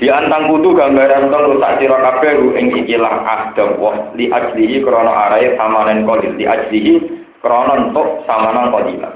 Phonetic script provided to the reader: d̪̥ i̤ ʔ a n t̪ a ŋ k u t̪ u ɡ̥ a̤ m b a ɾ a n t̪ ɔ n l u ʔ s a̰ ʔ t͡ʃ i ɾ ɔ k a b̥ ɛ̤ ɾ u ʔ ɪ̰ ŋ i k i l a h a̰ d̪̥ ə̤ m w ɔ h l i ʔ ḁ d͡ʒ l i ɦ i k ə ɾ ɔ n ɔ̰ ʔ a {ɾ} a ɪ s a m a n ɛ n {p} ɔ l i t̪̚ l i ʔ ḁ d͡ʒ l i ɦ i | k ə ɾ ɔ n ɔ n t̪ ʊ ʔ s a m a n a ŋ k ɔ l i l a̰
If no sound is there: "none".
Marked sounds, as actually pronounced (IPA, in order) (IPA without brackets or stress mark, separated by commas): ɾ, k